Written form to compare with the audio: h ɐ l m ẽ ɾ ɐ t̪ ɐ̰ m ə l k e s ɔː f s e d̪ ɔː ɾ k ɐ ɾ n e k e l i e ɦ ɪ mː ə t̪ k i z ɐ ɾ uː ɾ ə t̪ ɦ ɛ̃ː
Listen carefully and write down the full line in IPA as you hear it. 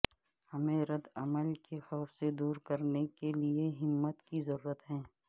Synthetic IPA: h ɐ m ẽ ɾ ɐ d̪ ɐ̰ m ə l k e x ɔː f s e d̪ uː ɾ k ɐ ɾ n e k e l i e ɦ ɪ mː ə t̪ k i z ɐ ɾ uː ɾ ə t̪ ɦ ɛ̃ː

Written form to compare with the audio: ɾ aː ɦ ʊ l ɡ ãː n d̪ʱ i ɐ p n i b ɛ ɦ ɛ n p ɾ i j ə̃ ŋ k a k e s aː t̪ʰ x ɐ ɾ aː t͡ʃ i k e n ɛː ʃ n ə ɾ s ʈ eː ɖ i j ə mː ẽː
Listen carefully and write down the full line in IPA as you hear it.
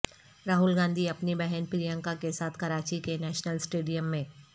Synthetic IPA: ɾ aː ɦ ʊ l ɡ ãː n d̪ʱ i ɐ p n i b ɛ ɦ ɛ n p ɾ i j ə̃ ŋ k a k e s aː t̪ʰ k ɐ ɾ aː t͡ʃ i k e n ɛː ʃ n ə l s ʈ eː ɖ i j ə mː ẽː

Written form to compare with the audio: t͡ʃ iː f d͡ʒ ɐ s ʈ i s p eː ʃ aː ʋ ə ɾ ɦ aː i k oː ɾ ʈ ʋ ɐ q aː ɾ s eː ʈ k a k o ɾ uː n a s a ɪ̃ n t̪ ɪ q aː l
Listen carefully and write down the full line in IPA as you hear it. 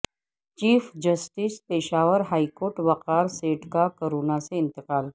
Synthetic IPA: t͡ʃ iː f d͡ʒ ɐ s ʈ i s p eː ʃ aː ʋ ə ɾ ɦ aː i k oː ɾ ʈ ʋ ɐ q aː ɾ s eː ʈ k a k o ɾ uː n a s e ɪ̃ n t̪ ɪ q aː l

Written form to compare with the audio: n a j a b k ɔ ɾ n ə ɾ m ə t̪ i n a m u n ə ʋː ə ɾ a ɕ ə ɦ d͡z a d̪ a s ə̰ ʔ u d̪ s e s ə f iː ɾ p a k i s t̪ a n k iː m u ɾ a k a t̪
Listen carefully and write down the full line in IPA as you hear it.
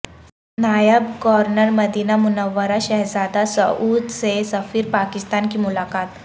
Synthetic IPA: n a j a b k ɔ ɾ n ə ɾ m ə d̪ i n a m u n ə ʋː ə ɾ a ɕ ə ɦ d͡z a d̪ a s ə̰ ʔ u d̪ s e s ə f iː ɾ p a k i s t̪ a n k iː m u l a k a t̪

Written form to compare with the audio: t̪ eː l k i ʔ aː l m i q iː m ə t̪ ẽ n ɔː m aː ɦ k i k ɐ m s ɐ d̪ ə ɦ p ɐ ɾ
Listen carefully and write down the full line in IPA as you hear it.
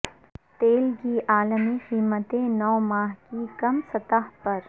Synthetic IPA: t̪ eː l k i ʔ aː l m i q iː m ə t̪ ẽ n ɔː m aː ɦ k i k ɐ m s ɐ t̪ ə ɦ p ɐ ɾ

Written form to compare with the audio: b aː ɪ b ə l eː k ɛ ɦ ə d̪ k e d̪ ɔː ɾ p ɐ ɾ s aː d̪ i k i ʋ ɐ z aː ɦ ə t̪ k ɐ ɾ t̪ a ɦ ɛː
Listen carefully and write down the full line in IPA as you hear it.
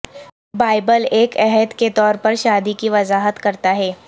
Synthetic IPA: b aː ɪ b ə l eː k ɛ ɦ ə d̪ k e t̪ ɔː ɾ p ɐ ɾ ʃ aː d̪ i k i ʋ ɐ z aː ɦ ə t̪ k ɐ ɾ t̪ a ɦ ɛː

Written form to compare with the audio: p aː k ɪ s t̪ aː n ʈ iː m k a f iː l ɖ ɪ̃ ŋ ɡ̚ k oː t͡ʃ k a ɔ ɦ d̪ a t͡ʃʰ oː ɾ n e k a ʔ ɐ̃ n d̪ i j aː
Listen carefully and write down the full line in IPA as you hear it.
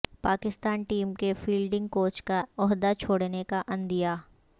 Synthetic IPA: p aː k ɪ s t̪ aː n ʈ iː m k e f iː l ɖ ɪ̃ ŋ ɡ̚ k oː t͡ʃ k a ɔ ɦ d̪ a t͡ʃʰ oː ɽ n e k a ʔ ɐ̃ n d̪ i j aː

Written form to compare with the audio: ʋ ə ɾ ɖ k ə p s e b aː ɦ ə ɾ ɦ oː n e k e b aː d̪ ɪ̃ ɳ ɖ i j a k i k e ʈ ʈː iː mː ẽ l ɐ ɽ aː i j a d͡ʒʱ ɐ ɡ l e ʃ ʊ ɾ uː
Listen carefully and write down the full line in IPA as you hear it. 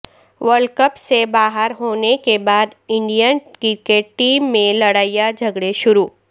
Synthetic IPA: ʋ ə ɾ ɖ k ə p s e b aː ɦ ə ɾ ɦ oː n e k e b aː d̪ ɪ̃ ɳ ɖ i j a k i k e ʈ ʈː iː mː ẽ l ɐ ɽ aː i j a d͡ʒʱ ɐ ɡ ɽ e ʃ ʊ ɾ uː

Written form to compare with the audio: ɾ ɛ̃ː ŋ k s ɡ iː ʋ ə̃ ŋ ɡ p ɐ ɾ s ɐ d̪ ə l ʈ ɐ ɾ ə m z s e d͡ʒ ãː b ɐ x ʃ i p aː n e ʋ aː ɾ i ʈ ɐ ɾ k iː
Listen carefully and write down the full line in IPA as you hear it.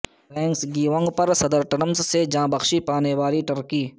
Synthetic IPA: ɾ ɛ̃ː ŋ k s ɡ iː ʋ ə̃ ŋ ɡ p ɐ ɾ s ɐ d̪ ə ɾ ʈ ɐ ɾ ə m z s e d͡ʒ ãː b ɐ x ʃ i p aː n e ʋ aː ɾ i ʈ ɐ ɾ k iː

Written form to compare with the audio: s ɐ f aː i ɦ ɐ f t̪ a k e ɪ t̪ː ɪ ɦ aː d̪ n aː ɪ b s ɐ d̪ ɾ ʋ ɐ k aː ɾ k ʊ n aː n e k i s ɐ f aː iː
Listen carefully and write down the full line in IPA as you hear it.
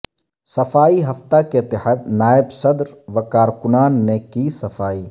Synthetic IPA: s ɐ f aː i ɦ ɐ f t̪ a k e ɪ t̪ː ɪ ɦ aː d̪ n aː ɪ b s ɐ d̪ ɾ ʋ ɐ k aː ɾ k ʊ n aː nː e k i s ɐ f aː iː

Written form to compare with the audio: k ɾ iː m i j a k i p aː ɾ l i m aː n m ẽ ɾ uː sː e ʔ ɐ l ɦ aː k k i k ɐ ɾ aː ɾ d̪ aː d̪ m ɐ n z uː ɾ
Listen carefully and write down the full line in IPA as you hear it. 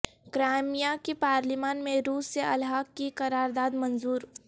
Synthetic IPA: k ɾ aː m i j a k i p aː ɾ l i m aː n m ẽ ɾ uː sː e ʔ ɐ l ɦ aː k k i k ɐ ɾ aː ɾ d̪ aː d̪ m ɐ n z uː ɾ

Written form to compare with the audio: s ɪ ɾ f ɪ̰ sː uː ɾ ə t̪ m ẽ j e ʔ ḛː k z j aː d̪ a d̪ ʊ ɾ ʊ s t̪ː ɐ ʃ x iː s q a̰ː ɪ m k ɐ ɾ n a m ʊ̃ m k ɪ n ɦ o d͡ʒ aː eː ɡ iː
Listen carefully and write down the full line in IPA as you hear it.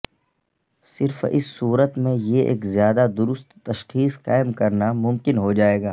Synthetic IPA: s ɪ ɾ f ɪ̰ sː uː ɾ ə t̪ m ẽ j e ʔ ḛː k z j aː d̪ a d̪ ʊ ɾ ʊ s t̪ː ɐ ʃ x iː s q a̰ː ɪ m k ɐ ɾ n a m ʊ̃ m k ɪ n ɦ o d͡ʒ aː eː ɡ aː

